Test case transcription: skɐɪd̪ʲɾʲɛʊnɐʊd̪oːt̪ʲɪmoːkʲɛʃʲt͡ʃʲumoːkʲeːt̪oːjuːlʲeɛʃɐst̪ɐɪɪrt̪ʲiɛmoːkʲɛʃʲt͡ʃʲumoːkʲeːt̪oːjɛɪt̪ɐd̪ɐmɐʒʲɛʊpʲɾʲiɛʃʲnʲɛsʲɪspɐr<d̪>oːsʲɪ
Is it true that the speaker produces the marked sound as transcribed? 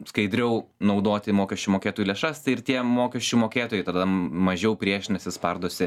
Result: yes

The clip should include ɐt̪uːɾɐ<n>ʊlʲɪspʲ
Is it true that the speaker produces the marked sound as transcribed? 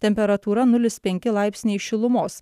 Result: yes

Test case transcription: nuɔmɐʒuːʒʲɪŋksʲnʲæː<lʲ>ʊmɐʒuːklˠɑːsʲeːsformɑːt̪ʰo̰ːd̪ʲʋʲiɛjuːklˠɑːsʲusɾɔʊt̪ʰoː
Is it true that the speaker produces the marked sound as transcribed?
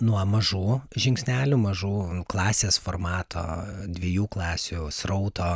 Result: yes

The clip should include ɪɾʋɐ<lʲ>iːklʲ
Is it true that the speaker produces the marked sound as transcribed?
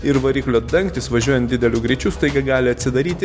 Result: no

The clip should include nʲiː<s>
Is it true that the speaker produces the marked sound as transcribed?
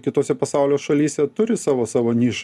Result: no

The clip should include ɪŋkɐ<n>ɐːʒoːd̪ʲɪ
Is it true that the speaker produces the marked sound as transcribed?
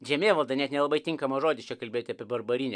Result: no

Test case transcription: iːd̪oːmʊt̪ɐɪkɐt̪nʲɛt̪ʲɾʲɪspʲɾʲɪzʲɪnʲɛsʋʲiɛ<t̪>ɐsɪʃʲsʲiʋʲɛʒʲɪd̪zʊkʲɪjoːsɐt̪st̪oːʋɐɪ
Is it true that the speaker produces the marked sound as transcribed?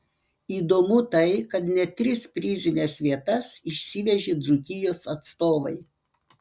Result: yes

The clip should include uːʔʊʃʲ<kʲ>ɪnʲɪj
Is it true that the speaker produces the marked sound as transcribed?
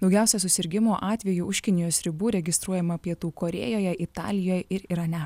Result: yes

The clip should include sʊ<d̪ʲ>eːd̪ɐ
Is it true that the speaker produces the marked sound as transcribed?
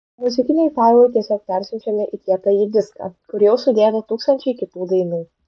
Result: yes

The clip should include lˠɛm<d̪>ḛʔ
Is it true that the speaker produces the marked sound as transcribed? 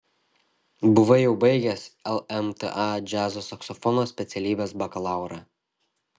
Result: no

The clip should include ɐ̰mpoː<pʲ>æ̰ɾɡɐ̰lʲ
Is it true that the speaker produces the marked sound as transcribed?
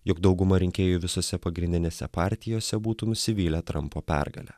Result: yes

